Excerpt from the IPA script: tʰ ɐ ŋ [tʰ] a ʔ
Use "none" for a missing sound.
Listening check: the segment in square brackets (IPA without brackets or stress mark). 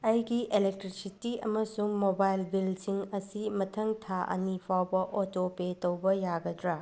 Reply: tʰ